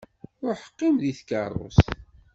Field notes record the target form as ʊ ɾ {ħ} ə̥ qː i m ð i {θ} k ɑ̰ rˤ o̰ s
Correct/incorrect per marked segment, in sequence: correct, correct

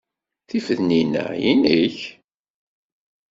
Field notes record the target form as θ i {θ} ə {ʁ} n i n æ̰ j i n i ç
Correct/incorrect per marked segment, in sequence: incorrect: f, incorrect: ð

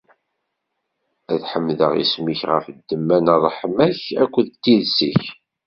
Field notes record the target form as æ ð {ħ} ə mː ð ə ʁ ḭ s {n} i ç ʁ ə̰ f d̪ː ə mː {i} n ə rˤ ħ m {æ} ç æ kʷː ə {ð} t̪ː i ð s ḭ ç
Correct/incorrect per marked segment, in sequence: correct, incorrect: m, incorrect: æ, correct, correct

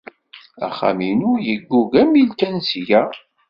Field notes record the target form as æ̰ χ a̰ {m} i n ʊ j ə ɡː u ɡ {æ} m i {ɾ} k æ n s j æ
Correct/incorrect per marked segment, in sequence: correct, correct, incorrect: l

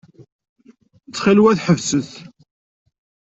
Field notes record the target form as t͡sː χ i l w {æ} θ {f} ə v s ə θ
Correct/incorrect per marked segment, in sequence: correct, incorrect: ħ

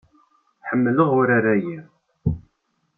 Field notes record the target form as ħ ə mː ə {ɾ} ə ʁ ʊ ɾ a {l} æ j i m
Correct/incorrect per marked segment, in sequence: incorrect: l, incorrect: ɾ

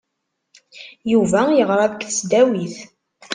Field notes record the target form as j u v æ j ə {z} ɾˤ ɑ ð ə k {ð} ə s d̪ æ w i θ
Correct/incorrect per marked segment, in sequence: incorrect: ʁ, incorrect: θ

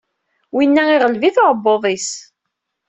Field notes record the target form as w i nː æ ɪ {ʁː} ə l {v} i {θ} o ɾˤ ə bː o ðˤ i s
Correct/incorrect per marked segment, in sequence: incorrect: ʁ, correct, correct

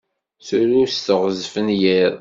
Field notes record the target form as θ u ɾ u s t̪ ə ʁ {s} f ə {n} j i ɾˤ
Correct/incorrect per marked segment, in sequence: incorrect: z, correct

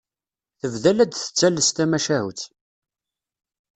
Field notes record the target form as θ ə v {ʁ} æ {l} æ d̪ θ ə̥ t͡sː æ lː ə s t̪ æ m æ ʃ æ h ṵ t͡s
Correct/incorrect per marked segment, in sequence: incorrect: ð, correct

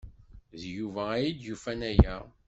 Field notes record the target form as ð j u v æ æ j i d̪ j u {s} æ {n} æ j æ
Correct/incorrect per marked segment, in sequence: incorrect: f, correct

